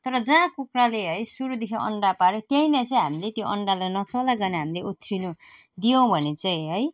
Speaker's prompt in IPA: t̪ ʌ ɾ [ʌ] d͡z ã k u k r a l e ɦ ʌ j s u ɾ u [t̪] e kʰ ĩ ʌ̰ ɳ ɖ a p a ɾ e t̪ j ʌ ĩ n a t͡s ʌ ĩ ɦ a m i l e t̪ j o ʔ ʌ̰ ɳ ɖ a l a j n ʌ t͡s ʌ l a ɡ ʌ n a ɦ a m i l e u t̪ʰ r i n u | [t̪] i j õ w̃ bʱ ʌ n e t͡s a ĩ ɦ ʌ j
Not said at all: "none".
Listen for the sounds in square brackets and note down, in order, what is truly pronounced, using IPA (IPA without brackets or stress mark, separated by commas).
ʌ, d̪, d̪